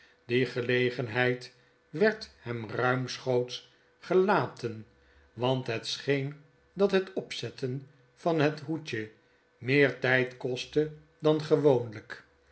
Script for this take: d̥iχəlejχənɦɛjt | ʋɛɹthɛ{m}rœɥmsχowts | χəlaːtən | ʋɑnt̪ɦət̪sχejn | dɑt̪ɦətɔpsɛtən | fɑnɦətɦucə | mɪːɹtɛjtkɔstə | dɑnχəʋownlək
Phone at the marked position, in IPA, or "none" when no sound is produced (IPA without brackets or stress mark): m